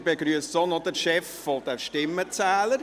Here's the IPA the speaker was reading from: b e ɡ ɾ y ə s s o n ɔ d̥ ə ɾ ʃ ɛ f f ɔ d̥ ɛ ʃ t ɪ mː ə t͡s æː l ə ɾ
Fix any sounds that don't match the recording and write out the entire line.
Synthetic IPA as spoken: b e ɡ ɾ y ə s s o n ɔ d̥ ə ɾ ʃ ɛ f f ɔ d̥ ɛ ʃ t ɪ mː ə t͡s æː l ə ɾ